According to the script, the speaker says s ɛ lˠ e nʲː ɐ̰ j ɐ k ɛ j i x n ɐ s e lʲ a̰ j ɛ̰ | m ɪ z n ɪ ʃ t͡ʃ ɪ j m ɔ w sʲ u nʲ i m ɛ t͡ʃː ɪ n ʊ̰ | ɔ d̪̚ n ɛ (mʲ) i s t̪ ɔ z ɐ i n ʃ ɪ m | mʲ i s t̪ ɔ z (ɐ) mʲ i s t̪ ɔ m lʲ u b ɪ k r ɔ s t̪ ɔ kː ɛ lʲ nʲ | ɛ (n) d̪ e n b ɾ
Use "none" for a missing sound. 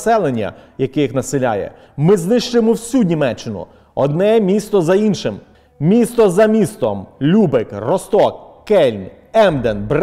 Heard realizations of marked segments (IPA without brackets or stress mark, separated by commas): mʲ, ɐ, m